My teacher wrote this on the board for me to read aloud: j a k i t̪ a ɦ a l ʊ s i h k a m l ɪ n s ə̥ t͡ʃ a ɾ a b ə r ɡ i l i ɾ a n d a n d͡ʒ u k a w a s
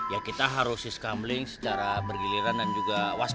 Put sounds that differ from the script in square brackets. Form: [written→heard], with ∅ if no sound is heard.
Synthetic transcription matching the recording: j a k i t̪ a ɦ a [l→ɾ] ʊ s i [h→s] k a m l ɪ [n→ŋ] s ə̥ t͡ʃ a ɾ a b ə r ɡ i l i ɾ a n d a n d͡ʒ u [k→ɡ] a w a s